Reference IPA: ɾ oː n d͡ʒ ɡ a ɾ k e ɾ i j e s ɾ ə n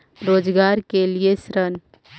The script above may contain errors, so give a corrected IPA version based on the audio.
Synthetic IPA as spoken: ɾ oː d͡ʒ ɡ a ɾ k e l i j e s ɾ ə n

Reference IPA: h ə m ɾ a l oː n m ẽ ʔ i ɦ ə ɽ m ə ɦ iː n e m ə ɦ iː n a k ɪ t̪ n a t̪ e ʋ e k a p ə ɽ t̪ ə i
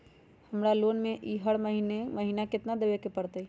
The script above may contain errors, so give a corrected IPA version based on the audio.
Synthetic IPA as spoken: h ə m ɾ a l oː n m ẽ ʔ i ɦ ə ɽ m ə ɦ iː n e m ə ɦ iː n a k ɪ t̪ n a d̪ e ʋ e k e p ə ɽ t̪ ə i

